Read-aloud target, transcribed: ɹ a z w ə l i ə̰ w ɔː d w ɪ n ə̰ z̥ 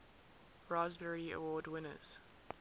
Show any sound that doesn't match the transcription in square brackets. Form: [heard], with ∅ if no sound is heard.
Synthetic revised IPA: ɹ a z [b] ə [ɹ] i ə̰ w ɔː d w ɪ n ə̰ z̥